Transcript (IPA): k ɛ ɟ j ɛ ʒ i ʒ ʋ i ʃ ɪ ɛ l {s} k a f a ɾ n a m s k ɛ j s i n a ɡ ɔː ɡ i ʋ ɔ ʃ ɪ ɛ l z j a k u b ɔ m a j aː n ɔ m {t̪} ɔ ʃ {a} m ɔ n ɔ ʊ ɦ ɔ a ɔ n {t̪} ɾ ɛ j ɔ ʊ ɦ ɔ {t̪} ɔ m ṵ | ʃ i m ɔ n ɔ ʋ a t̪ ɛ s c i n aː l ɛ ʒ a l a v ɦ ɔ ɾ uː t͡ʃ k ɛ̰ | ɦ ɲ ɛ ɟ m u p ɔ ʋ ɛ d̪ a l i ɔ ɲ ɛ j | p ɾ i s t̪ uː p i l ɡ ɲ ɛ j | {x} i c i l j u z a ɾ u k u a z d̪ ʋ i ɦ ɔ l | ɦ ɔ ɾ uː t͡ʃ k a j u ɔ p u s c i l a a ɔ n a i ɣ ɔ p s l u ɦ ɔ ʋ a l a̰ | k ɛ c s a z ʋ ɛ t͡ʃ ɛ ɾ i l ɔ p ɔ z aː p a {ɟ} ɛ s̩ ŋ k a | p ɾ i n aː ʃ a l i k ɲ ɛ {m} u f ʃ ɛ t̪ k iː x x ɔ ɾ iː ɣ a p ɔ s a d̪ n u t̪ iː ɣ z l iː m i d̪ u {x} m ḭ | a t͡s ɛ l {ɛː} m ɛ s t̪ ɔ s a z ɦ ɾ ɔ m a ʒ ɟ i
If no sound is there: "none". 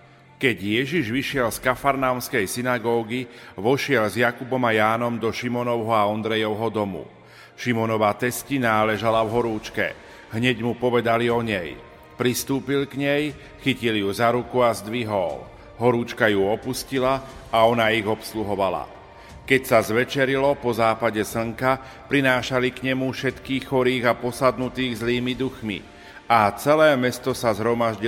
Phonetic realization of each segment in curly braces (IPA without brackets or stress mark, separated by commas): s, d̪, i, d̪, d̪, x, ɟ, m, x, ɛː